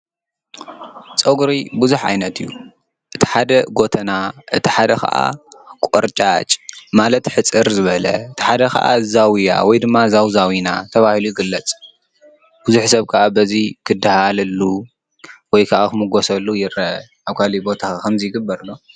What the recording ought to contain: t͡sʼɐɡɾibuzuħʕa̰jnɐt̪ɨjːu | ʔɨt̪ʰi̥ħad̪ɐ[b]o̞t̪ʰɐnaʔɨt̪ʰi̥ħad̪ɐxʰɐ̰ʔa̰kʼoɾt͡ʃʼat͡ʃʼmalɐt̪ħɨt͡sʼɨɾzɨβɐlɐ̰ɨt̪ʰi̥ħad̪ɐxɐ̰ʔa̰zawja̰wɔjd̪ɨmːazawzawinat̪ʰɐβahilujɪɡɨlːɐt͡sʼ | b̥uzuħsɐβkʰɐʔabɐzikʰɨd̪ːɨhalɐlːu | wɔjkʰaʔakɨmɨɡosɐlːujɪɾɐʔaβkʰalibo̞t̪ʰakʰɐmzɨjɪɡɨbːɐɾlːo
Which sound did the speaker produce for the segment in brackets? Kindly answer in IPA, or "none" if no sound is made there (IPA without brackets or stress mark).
ɡ